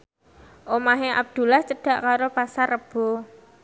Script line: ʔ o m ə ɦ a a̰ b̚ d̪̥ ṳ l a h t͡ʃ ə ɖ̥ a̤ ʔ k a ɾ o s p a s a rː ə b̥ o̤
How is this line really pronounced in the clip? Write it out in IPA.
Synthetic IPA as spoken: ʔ o m a ɦ e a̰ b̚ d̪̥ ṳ l a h t͡ʃ ə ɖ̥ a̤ ʔ k a ɾ o p a s a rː ə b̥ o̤